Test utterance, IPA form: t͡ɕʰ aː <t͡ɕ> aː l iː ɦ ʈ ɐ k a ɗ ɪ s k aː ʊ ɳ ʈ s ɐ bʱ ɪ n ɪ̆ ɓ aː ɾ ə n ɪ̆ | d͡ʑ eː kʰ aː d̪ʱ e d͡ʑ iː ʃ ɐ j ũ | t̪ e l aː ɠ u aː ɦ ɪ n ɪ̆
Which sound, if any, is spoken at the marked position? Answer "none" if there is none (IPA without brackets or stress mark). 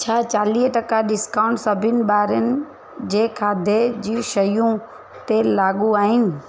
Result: t͡ɕ